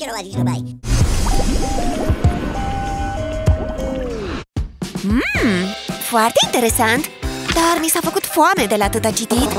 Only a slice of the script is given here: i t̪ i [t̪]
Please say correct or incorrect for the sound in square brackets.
correct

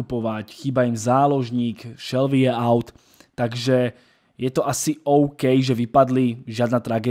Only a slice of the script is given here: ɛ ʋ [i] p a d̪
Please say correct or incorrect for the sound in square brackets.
correct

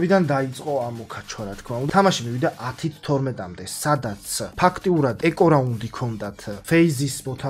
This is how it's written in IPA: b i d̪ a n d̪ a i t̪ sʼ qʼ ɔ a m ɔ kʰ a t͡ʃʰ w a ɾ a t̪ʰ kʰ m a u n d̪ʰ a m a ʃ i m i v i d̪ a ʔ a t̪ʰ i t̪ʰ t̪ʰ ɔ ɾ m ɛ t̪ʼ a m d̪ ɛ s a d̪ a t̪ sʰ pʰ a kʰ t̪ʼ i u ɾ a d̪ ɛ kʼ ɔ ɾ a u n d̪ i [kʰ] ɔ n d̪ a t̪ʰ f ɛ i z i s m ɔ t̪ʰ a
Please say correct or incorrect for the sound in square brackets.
correct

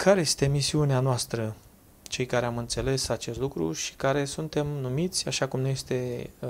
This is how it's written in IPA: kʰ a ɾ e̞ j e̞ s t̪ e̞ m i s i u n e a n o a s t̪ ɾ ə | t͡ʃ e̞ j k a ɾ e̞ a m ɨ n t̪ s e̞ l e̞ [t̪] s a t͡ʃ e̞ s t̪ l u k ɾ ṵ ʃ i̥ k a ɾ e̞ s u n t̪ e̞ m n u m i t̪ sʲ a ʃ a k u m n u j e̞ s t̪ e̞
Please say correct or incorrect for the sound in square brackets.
incorrect: none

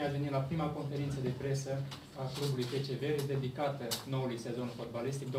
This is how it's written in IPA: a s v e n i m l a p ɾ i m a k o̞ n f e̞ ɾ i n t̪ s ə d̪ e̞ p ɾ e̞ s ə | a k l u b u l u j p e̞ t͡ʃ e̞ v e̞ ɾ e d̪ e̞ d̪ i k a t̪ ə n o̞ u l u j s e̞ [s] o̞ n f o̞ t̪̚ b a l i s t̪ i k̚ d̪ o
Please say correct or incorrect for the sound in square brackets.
incorrect: z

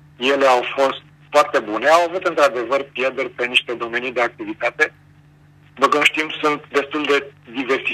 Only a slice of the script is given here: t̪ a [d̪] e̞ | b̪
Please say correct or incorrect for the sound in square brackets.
incorrect: t̪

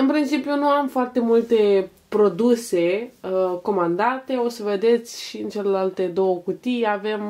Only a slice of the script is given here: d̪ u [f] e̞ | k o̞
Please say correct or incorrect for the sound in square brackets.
incorrect: s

